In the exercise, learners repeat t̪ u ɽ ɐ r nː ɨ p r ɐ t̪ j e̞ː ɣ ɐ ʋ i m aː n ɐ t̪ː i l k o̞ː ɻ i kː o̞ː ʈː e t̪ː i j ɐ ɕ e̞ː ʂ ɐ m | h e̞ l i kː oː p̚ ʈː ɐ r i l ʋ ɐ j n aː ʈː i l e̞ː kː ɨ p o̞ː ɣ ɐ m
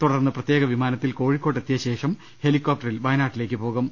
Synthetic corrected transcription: t̪ u ɽ ɐ r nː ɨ p r ɐ t̪ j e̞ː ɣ ɐ ʋ i m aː n ɐ t̪ː i l k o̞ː ɻ i kː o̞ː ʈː e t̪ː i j ɐ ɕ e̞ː ʂ ɐ m | h e̞ l i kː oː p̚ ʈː ɐ r i l ʋ ɐ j n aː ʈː i l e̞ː kː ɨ p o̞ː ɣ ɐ m